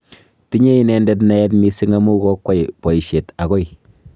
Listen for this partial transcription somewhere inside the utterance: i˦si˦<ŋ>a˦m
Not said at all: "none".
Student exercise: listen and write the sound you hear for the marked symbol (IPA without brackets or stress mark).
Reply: ŋ